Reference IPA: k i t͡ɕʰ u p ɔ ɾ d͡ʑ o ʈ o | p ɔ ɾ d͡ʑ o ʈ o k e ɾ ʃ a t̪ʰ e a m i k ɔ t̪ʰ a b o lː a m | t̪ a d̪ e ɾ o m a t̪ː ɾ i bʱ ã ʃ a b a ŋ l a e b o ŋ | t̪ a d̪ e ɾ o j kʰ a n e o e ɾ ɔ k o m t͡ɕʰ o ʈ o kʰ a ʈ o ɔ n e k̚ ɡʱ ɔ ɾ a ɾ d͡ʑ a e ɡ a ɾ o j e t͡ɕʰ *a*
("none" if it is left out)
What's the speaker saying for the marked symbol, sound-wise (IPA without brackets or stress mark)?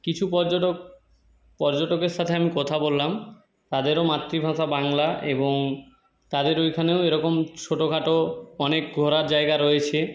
e